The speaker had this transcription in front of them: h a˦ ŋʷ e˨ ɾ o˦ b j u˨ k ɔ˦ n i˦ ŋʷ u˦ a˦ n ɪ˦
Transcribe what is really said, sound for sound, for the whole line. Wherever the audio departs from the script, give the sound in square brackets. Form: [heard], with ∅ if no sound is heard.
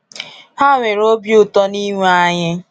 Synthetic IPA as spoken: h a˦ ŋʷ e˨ ɾ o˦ b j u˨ [t] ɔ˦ n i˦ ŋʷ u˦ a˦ [ɲ] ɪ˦